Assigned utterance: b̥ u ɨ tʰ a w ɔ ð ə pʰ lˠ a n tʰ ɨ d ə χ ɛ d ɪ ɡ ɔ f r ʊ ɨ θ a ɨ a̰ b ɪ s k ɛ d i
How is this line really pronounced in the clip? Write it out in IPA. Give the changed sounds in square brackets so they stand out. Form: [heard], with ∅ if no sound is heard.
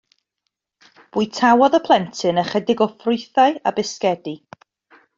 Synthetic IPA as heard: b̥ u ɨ tʰ a w ɔ ð ə pʰ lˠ [ɛ] n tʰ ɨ [n] ə χ ɛ d ɪ ɡ ɔ f r ʊ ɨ θ a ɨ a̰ b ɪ s k ɛ d i

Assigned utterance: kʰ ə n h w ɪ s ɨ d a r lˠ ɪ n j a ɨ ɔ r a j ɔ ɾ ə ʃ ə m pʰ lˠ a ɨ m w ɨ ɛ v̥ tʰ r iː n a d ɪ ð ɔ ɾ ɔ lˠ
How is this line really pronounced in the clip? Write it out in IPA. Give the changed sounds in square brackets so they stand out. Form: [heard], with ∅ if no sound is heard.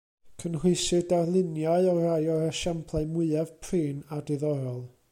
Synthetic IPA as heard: kʰ ə n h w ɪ s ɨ d a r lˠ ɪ n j a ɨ ɔ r a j ɔ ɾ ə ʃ [a] m pʰ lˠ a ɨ m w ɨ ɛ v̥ [pʰ] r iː n a d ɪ ð ɔ ɾ ɔ lˠ

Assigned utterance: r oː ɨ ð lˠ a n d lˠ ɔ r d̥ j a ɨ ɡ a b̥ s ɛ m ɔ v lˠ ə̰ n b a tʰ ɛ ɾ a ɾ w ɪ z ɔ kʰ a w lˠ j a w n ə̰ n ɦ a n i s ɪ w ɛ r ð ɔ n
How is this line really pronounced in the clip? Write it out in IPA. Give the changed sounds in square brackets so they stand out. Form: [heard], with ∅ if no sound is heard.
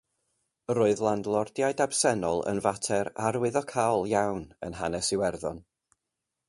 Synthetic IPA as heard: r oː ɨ ð lˠ a n d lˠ ɔ r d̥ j a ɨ [d] a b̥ s ɛ [n] ɔ [∅] lˠ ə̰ n [v] a tʰ ɛ ɾ a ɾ w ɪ [ð] ɔ kʰ a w lˠ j a w n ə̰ n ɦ a n [ɛ] s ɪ w ɛ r ð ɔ n

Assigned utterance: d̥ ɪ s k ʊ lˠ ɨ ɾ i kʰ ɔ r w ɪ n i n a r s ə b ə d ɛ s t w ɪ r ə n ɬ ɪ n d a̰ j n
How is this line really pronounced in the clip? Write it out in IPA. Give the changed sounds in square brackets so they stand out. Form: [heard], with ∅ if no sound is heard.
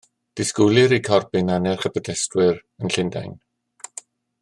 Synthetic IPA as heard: d̥ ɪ s k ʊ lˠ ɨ ɾ i kʰ ɔ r [b] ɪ n [a] n [ɛ] r [χ] ə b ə d ɛ s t w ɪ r ə n ɬ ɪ n d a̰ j n

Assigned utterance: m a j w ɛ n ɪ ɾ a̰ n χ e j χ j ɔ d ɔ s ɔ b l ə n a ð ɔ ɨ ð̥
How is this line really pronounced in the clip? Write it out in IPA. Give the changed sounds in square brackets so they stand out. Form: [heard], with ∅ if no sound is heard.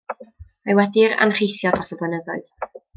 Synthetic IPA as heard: m a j w ɛ [d] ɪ ɾ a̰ n χ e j [θ] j ɔ d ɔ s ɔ b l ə n [ə] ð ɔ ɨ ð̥

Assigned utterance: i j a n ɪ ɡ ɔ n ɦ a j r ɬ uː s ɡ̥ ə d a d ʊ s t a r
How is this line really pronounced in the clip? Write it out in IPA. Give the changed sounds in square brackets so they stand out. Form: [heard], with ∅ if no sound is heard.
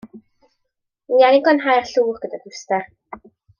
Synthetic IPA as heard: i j a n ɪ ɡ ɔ n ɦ a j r ɬ uː [χ] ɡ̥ ə d a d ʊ s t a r

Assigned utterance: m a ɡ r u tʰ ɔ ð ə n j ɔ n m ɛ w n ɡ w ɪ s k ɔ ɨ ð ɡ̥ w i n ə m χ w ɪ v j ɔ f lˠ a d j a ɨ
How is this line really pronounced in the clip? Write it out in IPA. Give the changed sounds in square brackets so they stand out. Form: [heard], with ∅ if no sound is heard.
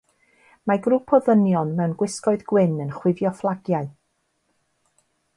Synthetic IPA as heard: m a ɡ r u [pʰ] ɔ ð ə n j ɔ n m ɛ w n ɡ w ɪ s k ɔ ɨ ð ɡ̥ w [ɪ] n ə [n] χ w ɪ v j ɔ f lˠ a [ɡ] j a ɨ

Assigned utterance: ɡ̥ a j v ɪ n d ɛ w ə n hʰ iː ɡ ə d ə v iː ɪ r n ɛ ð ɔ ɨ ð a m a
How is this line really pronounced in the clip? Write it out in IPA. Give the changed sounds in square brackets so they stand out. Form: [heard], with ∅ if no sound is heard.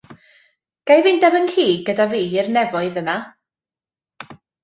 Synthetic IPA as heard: ɡ̥ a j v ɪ n d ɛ [v] ə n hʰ iː ɡ ə d [a] v iː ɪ r n ɛ [v] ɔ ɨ ð [ə] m a

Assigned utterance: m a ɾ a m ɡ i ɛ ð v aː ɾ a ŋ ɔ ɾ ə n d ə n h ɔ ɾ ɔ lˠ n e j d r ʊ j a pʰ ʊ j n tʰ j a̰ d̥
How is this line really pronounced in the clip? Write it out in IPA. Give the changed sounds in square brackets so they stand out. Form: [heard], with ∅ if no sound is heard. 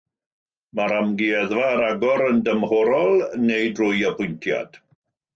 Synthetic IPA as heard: m a ɾ a m ɡ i ɛ ð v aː ɾ a [ɡ] ɔ ɾ ə n d ə [m] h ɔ ɾ ɔ lˠ n e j d r ʊ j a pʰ ʊ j n tʰ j a̰ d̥

